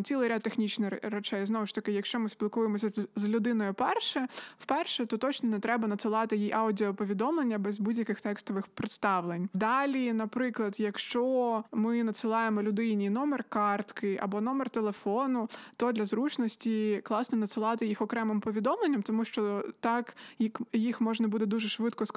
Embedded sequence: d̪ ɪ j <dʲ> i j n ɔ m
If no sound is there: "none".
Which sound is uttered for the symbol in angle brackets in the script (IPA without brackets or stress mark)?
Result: nʲ